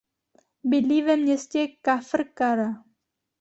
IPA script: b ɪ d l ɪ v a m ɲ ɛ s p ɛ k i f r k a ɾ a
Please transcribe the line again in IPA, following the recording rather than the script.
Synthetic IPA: b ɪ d l i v ɛ m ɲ ɛ s c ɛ k a f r k a ɾ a